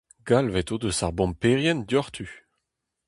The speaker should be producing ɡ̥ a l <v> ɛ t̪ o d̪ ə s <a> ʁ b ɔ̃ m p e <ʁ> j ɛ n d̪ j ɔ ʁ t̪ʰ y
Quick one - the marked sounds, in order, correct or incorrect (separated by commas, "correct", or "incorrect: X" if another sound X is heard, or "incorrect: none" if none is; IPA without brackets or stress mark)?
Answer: correct, correct, correct